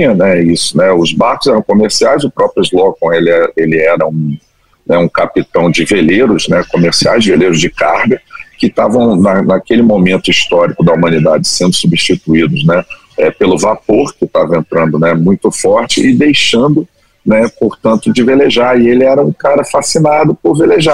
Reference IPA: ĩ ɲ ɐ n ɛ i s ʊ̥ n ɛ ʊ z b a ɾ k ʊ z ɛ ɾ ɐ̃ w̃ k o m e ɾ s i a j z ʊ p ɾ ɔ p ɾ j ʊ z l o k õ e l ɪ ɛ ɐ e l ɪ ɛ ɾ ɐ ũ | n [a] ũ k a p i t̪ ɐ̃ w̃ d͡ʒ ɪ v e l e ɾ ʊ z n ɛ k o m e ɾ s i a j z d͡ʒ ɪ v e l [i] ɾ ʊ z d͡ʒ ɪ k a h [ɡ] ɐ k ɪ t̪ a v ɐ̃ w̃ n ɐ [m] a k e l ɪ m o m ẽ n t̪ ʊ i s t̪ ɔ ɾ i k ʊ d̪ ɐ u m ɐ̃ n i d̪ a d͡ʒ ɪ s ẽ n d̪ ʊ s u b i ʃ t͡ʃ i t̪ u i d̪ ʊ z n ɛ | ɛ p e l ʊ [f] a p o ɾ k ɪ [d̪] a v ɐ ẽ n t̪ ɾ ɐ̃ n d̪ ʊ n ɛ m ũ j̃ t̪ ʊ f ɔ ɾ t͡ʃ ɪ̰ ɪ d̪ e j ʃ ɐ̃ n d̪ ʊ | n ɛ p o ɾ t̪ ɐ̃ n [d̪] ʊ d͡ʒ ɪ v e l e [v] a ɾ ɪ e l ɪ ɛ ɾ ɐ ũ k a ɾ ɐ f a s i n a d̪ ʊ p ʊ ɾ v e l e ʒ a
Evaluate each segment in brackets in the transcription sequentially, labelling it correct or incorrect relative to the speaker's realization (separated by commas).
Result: incorrect, incorrect, correct, incorrect, incorrect, incorrect, incorrect, incorrect